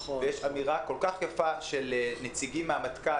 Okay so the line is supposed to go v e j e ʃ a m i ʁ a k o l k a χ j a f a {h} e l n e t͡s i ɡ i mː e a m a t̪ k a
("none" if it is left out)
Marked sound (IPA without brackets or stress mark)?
ʃ